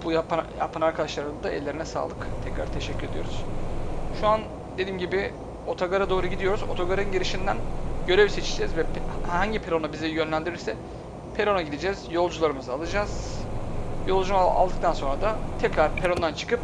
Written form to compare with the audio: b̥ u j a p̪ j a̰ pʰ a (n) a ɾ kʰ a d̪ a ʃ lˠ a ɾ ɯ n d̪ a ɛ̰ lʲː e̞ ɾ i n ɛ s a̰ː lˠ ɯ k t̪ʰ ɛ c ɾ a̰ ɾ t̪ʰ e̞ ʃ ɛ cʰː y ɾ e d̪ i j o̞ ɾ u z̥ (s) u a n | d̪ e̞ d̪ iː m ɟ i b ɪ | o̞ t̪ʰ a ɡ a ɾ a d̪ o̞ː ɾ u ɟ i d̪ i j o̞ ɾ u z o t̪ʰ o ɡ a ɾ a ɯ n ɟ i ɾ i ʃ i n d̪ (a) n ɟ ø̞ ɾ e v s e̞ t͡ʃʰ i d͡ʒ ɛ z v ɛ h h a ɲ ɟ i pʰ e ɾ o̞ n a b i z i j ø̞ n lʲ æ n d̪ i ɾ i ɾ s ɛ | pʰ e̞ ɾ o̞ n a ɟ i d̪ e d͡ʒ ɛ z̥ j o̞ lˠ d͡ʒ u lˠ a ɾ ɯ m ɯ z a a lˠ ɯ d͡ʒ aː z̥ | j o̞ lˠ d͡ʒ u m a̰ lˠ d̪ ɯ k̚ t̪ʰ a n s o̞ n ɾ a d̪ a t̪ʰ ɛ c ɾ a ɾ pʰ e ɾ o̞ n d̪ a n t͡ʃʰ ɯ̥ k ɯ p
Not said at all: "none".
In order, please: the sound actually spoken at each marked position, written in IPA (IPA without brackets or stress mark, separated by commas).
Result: n, ʃ, æ